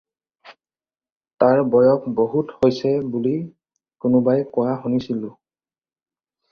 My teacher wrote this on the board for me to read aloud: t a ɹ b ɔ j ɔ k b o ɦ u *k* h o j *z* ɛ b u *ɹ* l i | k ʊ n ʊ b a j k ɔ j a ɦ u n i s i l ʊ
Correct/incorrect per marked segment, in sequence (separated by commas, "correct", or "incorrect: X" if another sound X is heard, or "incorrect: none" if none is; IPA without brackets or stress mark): incorrect: t, incorrect: s, incorrect: none